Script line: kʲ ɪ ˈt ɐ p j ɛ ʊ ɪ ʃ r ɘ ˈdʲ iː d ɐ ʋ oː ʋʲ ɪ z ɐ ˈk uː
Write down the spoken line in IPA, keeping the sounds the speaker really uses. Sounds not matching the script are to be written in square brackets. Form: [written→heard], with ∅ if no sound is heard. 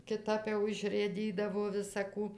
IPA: kʲ ɪ ˈt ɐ p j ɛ ʊ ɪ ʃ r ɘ ˈdʲ iː d ɐ ʋ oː ʋʲ ɪ [z→s] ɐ ˈk uː